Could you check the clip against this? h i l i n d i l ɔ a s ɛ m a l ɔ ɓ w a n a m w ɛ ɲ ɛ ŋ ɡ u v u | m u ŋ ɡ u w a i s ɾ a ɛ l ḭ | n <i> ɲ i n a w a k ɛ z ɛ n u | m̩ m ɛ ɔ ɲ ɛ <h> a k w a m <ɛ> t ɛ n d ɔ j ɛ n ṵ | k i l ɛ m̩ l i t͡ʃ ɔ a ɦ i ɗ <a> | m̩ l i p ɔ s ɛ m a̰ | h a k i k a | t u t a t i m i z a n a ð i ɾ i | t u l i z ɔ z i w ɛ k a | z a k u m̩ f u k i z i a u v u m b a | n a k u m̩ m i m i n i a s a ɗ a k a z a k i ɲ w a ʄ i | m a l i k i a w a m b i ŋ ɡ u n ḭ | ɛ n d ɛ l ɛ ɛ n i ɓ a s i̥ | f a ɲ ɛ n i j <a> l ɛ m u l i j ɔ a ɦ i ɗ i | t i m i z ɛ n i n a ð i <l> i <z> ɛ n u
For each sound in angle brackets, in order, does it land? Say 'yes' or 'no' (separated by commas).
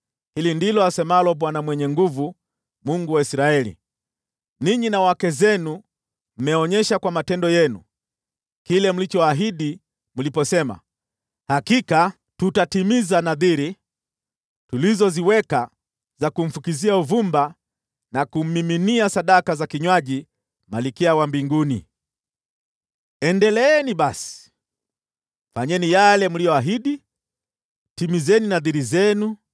yes, no, no, no, yes, no, yes